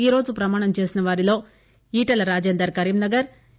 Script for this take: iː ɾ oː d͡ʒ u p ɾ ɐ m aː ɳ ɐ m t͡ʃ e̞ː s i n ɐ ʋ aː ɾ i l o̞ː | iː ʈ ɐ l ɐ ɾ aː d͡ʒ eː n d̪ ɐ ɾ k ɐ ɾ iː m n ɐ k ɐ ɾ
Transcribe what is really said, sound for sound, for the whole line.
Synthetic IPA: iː ɾ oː d͡ʒ u p ɾ ɐ m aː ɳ ɐ m t͡ʃ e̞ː s i n ɐ ʋ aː ɾ i l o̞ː | iː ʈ ɐ l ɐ ɾ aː d͡ʒ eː n d̪ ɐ ɾ k ɐ ɾ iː m n ɐ ɡ ɐ ɾ